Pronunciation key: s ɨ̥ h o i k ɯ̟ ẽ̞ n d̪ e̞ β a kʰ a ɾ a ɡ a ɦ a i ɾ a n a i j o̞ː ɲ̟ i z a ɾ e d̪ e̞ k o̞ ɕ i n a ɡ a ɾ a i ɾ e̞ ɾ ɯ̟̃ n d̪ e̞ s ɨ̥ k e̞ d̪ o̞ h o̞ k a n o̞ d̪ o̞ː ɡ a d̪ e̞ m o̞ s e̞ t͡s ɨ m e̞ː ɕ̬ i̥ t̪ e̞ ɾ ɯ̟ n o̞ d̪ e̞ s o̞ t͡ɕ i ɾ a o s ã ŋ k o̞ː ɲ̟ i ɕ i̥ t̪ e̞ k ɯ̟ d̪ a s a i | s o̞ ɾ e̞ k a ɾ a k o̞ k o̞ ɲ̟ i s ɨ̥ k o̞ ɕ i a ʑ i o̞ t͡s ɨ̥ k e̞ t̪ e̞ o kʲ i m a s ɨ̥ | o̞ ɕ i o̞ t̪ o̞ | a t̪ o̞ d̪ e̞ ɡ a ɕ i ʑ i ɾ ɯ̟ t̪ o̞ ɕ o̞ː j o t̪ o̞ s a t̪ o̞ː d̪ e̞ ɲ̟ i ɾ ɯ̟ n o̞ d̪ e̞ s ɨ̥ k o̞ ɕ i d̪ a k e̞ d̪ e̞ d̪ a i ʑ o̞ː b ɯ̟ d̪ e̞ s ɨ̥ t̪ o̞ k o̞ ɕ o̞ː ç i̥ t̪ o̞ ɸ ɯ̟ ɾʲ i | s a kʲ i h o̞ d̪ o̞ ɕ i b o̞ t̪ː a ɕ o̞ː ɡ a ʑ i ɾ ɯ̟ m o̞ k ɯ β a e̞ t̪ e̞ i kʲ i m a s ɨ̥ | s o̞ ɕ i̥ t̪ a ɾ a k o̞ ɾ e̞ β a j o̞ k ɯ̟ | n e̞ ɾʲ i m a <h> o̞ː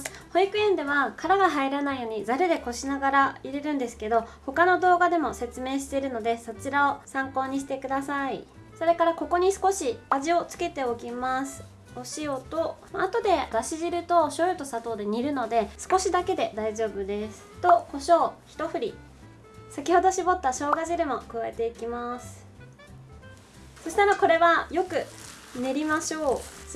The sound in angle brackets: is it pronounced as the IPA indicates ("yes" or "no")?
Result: no